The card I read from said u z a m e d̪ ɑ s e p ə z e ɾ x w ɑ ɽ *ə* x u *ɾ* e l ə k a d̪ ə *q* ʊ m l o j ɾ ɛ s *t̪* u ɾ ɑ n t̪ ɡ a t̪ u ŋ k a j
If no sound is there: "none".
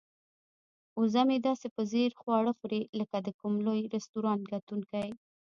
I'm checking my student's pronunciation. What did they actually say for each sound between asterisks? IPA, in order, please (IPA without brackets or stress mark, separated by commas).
ə, ɾ, k, t̪